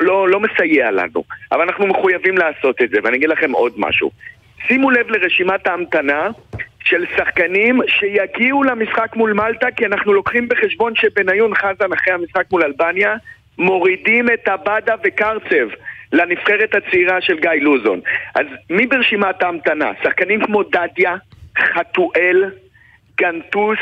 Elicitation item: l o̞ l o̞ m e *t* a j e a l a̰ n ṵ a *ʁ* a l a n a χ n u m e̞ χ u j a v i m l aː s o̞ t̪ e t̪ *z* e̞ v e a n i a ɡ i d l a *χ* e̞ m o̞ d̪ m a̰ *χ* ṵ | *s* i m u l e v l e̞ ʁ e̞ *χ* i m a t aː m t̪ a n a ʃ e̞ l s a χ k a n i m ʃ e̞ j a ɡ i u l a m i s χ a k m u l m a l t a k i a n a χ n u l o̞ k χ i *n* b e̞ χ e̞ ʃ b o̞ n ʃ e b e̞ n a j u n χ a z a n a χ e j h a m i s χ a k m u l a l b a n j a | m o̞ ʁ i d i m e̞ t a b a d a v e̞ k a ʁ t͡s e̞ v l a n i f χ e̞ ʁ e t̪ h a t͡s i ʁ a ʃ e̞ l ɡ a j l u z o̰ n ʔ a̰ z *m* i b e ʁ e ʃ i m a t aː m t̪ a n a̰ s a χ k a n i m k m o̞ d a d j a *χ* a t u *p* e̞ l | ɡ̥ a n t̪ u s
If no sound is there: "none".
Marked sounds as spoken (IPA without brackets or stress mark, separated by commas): s, v, z, χ, ʃ, s, ʃ, m, m, χ, ʔ